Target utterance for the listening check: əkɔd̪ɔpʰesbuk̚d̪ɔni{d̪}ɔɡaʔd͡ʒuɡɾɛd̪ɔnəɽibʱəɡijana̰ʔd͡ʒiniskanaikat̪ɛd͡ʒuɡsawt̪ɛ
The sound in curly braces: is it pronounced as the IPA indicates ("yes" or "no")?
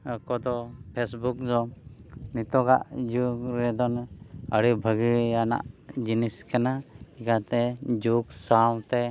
no